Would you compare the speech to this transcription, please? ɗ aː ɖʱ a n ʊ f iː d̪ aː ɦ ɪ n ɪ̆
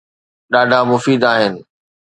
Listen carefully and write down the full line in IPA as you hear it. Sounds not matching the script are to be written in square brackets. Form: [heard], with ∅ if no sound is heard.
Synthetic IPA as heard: ɗ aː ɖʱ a [m] ʊ f iː d̪ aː ɦ ɪ n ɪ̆

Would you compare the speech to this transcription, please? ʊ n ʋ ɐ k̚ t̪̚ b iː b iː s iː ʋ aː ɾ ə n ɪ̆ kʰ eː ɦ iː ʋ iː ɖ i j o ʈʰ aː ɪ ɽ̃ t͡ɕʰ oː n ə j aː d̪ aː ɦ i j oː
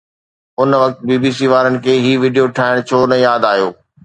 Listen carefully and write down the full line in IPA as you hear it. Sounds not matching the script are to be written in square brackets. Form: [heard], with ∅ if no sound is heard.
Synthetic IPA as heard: ʊ n ʋ ɐ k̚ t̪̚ b iː b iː s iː ʋ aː ɾ ə n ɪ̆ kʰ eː ɦ iː ʋ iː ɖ i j o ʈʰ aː ɪ ɽ̃ t͡ɕʰ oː n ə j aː d̪ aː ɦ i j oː

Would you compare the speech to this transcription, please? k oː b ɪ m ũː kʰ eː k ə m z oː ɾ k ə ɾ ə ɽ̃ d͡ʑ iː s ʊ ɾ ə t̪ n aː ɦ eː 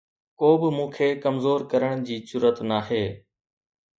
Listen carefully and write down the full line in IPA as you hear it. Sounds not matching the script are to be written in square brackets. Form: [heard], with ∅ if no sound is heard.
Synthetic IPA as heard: k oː b ɪ m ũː kʰ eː k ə m z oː ɾ k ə ɾ ə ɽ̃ d͡ʑ iː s ʊ ɾ ə t̪ n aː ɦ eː

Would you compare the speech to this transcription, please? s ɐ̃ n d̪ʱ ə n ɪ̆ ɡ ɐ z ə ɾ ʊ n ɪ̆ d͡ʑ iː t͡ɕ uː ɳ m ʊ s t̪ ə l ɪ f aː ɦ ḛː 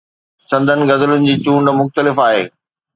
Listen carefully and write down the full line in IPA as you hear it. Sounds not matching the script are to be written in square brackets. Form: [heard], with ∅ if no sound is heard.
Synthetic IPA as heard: s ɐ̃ n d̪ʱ ə n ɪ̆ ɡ ɐ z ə [l] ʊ n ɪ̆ d͡ʑ iː t͡ɕ uː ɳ m ʊ [x] t̪ ə l ɪ f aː ɦ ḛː

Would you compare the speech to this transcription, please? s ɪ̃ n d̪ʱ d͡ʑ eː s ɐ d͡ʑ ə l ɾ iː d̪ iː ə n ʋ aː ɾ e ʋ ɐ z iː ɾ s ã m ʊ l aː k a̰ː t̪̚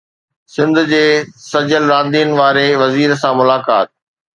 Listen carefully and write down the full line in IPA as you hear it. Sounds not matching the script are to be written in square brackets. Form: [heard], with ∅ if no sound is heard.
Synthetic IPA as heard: s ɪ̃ n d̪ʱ d͡ʑ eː s ɐ d͡ʑ ə l ɾ [aː] d̪ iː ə n ʋ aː ɾ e ʋ ɐ z iː ɾ s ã m ʊ l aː k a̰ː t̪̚

